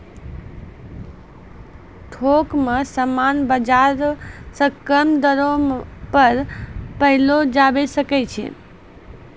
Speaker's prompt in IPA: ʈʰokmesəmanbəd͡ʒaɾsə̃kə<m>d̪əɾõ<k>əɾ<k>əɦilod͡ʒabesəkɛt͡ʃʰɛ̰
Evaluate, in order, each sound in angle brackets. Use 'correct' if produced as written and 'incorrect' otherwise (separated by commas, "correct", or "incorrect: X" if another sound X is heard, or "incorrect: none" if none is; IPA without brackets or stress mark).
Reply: correct, incorrect: p, incorrect: p